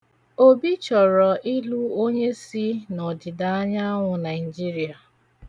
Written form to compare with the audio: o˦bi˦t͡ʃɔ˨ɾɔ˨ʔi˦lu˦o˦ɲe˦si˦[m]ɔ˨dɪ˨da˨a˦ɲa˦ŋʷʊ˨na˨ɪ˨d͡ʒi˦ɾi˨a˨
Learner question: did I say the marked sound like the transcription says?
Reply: no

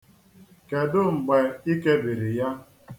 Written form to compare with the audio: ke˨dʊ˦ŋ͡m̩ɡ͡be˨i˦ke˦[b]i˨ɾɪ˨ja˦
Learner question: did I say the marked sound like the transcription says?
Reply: yes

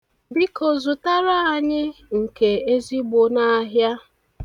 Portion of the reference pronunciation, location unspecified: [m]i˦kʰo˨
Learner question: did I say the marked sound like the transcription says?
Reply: no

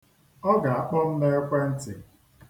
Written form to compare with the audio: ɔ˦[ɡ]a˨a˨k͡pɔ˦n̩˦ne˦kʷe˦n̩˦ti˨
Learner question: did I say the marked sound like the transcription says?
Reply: yes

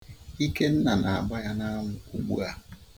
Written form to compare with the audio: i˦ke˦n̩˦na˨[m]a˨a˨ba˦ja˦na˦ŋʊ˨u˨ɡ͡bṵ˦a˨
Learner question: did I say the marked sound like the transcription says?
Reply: no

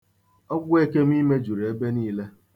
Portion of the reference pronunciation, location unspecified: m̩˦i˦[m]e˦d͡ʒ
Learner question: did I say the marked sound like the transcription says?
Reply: yes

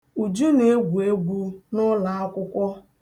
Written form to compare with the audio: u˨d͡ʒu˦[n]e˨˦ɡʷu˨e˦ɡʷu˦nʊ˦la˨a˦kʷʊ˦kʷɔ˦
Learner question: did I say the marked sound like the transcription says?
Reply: yes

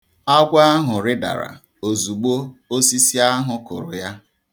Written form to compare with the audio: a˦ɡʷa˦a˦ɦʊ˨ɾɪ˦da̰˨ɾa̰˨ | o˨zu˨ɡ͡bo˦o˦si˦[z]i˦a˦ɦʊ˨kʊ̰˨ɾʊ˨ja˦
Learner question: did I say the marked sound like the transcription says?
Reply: no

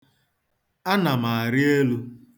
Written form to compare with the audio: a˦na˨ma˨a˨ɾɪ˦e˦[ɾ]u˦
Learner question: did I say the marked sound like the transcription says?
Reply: no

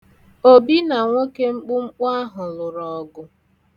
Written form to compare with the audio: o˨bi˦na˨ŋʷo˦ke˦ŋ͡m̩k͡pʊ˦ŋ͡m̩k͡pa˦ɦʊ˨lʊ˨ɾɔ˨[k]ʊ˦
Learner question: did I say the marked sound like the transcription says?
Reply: no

